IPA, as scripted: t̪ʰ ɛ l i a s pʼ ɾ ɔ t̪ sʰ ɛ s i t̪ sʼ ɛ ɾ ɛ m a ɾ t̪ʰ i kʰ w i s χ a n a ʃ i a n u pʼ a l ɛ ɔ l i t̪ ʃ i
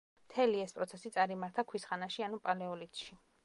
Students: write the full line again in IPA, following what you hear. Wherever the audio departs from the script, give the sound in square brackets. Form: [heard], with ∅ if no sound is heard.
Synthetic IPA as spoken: t̪ʰ ɛ l i [ɛ] s pʼ ɾ ɔ t̪ sʰ ɛ s i t̪ sʼ [a] ɾ [i] m a ɾ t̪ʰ [a] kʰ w i s χ a n a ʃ i a n u pʼ a l ɛ ɔ l i t̪ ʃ i